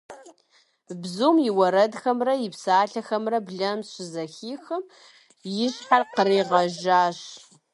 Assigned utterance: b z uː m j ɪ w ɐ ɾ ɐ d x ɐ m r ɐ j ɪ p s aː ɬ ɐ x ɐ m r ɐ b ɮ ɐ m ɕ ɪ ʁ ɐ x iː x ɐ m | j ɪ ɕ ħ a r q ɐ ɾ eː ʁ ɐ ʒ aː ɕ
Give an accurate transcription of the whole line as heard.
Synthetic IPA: b z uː m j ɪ w ɐ ɾ ɐ d x ɐ m r ɐ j ɪ p s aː ɬ ɐ x ɐ m r ɐ b ɮ ɐ m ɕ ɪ z ɐ x iː x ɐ m | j ɪ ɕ ħ a r q ə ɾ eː ʁ ɐ ʒ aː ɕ